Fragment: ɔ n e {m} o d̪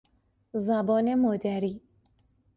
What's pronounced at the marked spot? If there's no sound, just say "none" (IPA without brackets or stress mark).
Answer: m